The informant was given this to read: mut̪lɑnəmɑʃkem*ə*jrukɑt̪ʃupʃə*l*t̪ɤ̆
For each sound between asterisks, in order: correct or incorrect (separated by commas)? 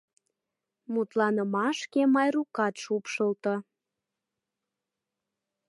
incorrect, correct